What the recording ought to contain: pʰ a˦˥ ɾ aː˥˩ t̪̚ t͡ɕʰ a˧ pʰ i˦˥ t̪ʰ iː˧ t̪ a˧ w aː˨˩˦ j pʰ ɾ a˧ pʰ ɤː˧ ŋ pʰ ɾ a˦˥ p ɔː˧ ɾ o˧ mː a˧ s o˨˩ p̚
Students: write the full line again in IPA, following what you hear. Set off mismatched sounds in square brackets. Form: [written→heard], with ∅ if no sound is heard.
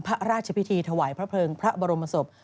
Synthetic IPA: pʰ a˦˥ ɾ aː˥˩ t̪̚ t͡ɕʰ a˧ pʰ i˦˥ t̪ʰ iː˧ [t̪→t̪ʰ] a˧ w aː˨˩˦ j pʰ ɾ [a˧→a˦˥] pʰ ɤː˧ ŋ pʰ ɾ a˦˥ [p→b] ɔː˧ ɾ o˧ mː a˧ s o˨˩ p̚

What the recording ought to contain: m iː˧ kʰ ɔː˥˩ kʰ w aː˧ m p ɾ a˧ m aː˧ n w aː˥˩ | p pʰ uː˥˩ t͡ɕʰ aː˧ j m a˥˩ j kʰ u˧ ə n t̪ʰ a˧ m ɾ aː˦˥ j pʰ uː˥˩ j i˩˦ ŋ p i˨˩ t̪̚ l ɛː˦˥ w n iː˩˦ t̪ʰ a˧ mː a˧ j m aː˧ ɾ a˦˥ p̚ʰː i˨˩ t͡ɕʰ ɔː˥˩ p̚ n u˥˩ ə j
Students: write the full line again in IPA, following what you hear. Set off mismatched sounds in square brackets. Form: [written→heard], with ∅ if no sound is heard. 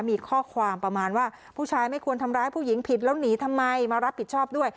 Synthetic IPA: m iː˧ kʰ ɔː˥˩ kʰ w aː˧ m p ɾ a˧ m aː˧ n w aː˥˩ | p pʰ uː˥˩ t͡ɕʰ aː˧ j m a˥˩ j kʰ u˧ ə n t̪ʰ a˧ m ɾ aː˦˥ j pʰ uː˥˩ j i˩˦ ŋ [p→pʰ] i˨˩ t̪̚ l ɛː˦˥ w n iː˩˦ t̪ʰ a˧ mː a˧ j m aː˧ ɾ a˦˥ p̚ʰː i˨˩ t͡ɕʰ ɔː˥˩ p̚ [n→d] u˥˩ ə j

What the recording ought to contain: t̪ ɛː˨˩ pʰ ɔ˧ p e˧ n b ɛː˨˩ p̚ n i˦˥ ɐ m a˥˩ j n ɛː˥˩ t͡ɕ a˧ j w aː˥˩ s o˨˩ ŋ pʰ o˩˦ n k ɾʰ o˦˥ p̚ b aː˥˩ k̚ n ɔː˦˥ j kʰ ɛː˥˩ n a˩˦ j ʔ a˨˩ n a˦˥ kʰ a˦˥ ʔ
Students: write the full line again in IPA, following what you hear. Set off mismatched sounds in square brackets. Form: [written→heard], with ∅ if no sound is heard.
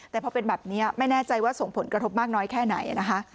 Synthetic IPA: t̪ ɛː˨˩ pʰ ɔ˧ p e˧ n b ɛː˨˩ p̚ n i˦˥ ɐ m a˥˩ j n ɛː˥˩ t͡ɕ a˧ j w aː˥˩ s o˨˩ ŋ pʰ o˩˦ n k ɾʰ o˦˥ p̚ [b→m] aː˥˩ k̚ n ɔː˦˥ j kʰ ɛː˥˩ n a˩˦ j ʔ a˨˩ n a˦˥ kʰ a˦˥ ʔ

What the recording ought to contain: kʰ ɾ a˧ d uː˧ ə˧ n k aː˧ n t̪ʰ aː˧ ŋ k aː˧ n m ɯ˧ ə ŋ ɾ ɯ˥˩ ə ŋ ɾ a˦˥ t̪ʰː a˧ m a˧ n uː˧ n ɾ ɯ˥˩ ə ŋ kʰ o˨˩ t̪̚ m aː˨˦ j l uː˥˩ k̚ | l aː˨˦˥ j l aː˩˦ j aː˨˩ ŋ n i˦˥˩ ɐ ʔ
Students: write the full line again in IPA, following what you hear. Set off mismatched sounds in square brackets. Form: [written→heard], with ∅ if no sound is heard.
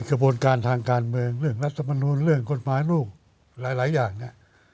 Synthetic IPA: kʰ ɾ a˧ [d→b] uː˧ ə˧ n k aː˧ n t̪ʰ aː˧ ŋ k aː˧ n m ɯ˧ ə ŋ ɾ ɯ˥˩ ə ŋ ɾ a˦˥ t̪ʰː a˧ m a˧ n uː˧ n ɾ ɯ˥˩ ə ŋ [kʰ→k] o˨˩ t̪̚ m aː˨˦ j l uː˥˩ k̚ | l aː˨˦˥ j l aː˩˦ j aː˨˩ ŋ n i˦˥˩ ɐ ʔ

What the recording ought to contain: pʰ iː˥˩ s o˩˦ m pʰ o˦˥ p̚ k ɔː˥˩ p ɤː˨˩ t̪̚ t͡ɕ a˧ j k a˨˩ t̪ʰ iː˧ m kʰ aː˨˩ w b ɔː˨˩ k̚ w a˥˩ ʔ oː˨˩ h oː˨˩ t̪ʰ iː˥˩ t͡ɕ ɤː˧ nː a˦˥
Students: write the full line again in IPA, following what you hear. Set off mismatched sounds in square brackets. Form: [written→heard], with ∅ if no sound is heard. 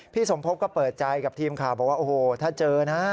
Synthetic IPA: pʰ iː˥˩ s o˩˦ m pʰ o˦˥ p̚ k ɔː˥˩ p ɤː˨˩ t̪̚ t͡ɕ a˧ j k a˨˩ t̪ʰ iː˧ m kʰ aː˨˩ w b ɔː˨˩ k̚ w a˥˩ ʔ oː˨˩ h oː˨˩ t̪ʰ [iː˥˩→aː˥˩] t͡ɕ ɤː˧ [nː→n] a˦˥

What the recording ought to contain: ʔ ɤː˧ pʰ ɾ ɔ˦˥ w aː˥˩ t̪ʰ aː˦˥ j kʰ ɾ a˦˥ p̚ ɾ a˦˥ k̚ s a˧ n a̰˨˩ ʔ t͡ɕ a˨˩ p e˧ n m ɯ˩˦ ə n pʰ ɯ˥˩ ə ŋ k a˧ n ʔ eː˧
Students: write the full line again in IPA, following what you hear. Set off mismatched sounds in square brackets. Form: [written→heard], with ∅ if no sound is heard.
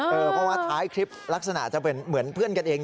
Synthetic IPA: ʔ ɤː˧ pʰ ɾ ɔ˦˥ w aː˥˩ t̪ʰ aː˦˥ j kʰ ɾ [a˦˥→i˦˥] p̚ [ɾ→l] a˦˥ k̚ s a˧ n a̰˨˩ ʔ t͡ɕ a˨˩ p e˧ n m ɯ˩˦ ə n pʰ ɯ˥˩ ə [ŋ→n] k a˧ n ʔ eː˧

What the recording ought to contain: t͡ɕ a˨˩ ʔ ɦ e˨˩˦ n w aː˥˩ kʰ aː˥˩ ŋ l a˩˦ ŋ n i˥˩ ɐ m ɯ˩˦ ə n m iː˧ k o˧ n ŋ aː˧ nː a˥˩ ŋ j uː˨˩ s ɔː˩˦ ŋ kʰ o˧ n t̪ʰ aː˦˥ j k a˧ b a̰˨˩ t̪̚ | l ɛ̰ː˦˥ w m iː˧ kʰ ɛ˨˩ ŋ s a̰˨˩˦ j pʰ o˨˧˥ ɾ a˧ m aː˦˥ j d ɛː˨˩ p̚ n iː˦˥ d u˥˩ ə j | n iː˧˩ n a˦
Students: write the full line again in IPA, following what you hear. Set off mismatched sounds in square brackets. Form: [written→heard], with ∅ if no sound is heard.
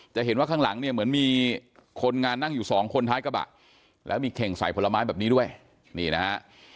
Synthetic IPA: t͡ɕ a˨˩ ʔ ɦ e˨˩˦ n w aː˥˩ kʰ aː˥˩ ŋ l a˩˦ ŋ n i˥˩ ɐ m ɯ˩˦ ə n m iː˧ [k→kʰ] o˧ n ŋ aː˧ nː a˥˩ ŋ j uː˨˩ s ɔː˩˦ ŋ kʰ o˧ n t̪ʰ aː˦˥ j k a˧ b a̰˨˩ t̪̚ | l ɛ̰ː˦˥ w m iː˧ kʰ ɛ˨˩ ŋ s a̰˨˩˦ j pʰ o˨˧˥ [ɾ→l] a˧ m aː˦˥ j [d→b] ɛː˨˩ p̚ n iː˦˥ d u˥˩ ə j | n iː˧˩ n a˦

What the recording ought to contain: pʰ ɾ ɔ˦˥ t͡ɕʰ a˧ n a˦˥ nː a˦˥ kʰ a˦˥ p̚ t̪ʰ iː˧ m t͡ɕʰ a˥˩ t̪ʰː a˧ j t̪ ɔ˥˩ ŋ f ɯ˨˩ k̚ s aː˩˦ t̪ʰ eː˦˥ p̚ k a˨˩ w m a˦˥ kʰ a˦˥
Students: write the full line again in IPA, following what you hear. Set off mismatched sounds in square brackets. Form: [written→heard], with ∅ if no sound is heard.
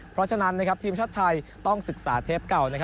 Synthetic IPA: pʰ ɾ ɔ˦˥ t͡ɕʰ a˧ n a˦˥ nː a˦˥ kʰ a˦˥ p̚ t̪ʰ iː˧ m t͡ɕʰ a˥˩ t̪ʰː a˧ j t̪ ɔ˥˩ ŋ [f→s] ɯ˨˩ k̚ s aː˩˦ t̪ʰ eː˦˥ p̚ k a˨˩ w [m→n] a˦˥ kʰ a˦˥

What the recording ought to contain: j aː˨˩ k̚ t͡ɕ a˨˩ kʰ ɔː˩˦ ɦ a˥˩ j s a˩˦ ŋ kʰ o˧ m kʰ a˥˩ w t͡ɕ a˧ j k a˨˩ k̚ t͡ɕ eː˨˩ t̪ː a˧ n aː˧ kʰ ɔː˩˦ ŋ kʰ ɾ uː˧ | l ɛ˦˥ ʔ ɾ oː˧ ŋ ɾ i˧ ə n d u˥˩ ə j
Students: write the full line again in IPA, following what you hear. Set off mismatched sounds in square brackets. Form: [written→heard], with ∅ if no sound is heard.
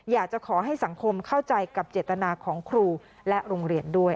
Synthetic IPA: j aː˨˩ k̚ t͡ɕ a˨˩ kʰ ɔː˩˦ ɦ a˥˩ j s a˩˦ ŋ kʰ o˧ m kʰ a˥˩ w t͡ɕ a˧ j k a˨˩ [k̚→p̚] t͡ɕ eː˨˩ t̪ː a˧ n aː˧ kʰ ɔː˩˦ ŋ kʰ ɾ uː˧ | l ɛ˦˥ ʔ ɾ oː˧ ŋ ɾ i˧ ə n d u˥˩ ə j

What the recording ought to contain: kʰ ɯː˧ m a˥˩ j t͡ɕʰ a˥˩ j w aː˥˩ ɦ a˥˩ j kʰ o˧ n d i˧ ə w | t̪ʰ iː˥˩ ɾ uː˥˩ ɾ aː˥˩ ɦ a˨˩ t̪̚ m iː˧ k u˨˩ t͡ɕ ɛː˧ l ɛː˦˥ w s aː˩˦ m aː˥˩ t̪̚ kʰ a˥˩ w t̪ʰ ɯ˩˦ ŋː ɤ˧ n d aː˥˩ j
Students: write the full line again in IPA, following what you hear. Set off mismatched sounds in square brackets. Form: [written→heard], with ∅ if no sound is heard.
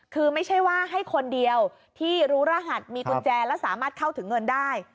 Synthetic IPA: kʰ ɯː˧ m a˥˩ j t͡ɕʰ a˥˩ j w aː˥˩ ɦ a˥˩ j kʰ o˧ n d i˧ ə w | t̪ʰ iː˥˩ ɾ [uː˥˩→uː˦˥] ɾ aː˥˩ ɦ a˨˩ t̪̚ m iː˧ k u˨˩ t͡ɕ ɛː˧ l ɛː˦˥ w s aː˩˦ m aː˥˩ t̪̚ kʰ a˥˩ w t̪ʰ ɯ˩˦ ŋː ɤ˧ n d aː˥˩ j

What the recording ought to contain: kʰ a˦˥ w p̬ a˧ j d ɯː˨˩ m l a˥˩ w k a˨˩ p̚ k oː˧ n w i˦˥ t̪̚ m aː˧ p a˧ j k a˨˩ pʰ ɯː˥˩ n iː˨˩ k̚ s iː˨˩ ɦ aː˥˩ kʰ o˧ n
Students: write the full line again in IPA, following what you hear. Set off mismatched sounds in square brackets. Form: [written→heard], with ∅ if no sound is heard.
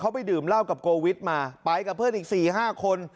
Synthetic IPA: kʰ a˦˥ w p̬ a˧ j d ɯː˨˩ m l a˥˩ w k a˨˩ p̚ k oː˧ [n→∅] w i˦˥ t̪̚ m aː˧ p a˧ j k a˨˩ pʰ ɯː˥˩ n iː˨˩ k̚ s iː˨˩ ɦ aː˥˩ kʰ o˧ n

